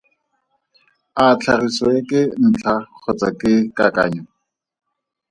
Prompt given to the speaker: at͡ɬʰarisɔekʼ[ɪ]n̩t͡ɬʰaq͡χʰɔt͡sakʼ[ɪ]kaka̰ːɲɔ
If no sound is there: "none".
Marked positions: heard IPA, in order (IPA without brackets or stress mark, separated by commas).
ɪ, ɪ